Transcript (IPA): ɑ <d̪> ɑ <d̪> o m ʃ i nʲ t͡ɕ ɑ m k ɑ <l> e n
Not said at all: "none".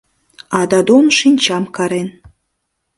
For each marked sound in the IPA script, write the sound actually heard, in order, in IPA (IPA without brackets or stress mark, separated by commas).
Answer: d̪, d̪, ɾ